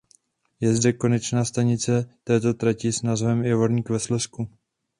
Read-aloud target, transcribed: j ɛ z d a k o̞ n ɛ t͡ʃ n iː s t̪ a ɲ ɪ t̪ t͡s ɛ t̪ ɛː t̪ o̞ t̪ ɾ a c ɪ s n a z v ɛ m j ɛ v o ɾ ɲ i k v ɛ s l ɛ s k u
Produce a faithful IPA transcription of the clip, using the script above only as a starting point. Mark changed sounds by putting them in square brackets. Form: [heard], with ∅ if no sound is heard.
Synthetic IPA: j ɛ z d [ɛ] k o̞ n ɛ t͡ʃ n [aː] s t̪ a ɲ ɪ [∅] t͡s ɛ t̪ ɛː t̪ o̞ t̪ ɾ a c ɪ s n a z v ɛ m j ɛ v o ɾ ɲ i k v ɛ s l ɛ s k u

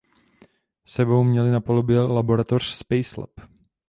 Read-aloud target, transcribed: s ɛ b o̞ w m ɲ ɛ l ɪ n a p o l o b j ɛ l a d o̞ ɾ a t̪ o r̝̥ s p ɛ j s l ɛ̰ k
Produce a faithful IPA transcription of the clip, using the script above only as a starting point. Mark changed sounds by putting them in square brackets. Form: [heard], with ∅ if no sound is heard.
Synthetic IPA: s ɛ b o̞ w m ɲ ɛ l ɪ n a p o l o b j ɛ l a [b] o̞ ɾ a t̪ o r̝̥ s p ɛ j s l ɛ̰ [p]

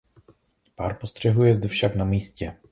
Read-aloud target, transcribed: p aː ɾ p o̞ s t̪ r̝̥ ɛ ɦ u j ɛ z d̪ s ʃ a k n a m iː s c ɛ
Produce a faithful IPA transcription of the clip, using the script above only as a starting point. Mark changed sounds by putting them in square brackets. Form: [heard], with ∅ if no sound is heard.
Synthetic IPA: p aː ɾ p o̞ s t̪ r̝̥ ɛ ɦ u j ɛ z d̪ [f] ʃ a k n a m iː s c ɛ

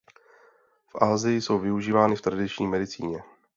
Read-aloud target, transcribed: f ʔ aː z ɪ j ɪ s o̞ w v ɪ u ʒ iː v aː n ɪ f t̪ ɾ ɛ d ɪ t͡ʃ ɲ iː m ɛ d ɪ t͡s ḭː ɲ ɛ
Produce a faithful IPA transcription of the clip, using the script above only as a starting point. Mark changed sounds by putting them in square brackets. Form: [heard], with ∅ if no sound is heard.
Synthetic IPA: f ʔ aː z ɪ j ɪ s o̞ w v ɪ u ʒ iː v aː n ɪ f t̪ ɾ [a] d ɪ t͡ʃ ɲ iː m ɛ d ɪ t͡s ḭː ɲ ɛ

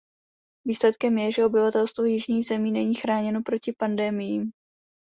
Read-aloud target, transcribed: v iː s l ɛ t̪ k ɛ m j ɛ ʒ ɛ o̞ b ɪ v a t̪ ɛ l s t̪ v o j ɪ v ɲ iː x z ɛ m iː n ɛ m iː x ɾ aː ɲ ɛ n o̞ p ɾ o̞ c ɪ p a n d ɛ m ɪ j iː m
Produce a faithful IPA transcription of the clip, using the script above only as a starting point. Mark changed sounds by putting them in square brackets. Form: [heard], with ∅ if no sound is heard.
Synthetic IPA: v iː s l ɛ t̪ k ɛ m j ɛ ʒ ɛ o̞ b ɪ v a t̪ ɛ l s t̪ v o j ɪ [ʒ] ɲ iː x z ɛ m iː n ɛ [ɲ] iː x ɾ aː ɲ ɛ n o̞ p ɾ o̞ c ɪ p a n d ɛ m ɪ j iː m

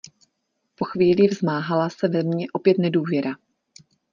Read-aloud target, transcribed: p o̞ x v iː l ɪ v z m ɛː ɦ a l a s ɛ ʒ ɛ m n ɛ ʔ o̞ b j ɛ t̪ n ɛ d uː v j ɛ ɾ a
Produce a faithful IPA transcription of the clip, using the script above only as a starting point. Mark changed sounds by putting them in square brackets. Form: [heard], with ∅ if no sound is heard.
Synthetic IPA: p o̞ x v iː l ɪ v z m [aː] ɦ a l a s ɛ [v] ɛ m [ɲ] ɛ ʔ o̞ [p] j ɛ t̪ n ɛ d uː v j ɛ ɾ a

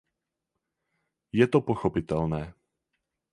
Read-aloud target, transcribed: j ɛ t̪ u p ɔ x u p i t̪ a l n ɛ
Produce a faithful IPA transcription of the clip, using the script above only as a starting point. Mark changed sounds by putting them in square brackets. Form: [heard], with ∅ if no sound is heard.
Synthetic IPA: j ɛ t̪ [ɔ] p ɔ x [ɔ] p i t̪ [ɛ] l n [ɛː]

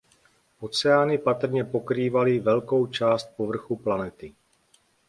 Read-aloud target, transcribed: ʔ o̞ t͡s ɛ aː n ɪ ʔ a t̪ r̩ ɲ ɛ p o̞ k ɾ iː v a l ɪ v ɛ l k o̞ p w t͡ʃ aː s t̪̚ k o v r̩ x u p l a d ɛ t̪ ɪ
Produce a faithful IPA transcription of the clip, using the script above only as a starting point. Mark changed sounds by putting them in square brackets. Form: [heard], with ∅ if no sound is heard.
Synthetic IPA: ʔ o̞ t͡s ɛ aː n ɪ [p] a t̪ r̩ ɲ ɛ p o̞ k ɾ iː v a l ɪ v ɛ l k o̞ [∅] w t͡ʃ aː s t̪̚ [p] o v r̩ x u p l a [n] ɛ t̪ ɪ

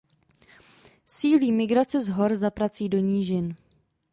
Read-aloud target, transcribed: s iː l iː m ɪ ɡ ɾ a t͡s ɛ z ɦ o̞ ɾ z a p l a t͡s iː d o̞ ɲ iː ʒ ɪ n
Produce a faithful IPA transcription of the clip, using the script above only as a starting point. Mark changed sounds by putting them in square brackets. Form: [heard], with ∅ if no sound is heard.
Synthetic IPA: s iː l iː m ɪ ɡ ɾ a t͡s ɛ z ɦ o̞ ɾ z a p [ɾ] a t͡s iː d o̞ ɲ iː ʒ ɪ n

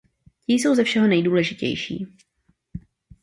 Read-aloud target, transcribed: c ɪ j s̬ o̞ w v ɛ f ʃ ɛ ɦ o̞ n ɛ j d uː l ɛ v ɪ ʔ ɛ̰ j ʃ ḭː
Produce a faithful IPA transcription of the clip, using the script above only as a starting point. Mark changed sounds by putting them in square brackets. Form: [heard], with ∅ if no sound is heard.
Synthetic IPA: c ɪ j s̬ o̞ w [z] ɛ f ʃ ɛ ɦ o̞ n ɛ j d uː l ɛ [ʒ] ɪ [c] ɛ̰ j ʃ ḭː

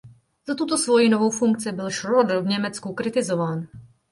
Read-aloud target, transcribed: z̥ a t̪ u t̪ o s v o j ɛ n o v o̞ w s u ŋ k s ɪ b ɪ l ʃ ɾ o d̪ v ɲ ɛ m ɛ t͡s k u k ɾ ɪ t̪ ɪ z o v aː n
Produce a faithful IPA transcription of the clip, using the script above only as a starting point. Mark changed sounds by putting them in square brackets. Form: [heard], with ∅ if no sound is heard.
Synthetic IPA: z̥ a t̪ u t̪ o s v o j [i] n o v o̞ w [f] u ŋ k [t͡s] ɪ b ɪ l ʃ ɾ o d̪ v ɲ ɛ m ɛ t͡s k u k ɾ ɪ t̪ ɪ z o v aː n

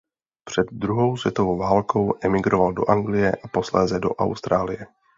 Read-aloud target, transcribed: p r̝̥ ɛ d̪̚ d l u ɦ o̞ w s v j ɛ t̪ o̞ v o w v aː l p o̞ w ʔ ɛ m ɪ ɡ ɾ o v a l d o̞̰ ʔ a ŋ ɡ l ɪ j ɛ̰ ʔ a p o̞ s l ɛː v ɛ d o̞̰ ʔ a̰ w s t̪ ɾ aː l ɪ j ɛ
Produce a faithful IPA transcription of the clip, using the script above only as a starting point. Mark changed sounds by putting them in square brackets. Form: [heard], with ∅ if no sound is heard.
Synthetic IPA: p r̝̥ ɛ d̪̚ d [ɾ] u ɦ o̞ w s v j ɛ t̪ o̞ v o w v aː l [k] o̞ w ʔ ɛ m ɪ ɡ ɾ o v a l d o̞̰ ʔ a ŋ ɡ l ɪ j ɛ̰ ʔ a p o̞ s l ɛː [z] ɛ d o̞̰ ʔ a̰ w s t̪ ɾ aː l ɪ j ɛ

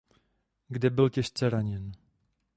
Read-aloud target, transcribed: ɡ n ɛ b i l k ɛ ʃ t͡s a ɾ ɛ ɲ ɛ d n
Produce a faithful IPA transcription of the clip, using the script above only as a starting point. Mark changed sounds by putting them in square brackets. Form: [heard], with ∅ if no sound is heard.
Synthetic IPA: ɡ [d] ɛ b [ɪ] l [c] ɛ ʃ t͡s [ɛ] ɾ [a] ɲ ɛ [∅] n

